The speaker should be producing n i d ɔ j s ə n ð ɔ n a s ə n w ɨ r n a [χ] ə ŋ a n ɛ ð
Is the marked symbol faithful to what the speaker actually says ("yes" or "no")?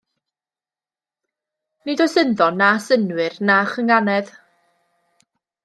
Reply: yes